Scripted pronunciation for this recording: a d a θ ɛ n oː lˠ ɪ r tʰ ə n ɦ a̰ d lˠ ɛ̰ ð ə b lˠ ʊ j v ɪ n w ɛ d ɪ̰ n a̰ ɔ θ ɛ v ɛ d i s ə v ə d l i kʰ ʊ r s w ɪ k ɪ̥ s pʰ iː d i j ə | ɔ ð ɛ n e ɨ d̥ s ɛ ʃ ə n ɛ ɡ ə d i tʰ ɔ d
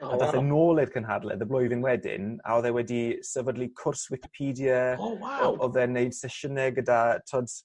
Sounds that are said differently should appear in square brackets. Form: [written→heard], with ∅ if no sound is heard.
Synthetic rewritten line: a d a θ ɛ n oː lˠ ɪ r [tʰ→kʰ] ə n ɦ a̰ d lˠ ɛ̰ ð ə b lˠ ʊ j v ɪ n w ɛ d ɪ̰ n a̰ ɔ [θ→ð] ɛ [v→w] ɛ d i s ə v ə d l i kʰ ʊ r s w ɪ k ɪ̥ [s→∅] pʰ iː d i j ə | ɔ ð ɛ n e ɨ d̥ s ɛ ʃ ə n ɛ ɡ ə d [i→a] tʰ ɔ d